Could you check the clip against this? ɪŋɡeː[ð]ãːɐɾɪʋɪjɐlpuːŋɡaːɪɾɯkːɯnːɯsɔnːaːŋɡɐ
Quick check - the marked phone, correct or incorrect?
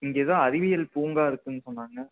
correct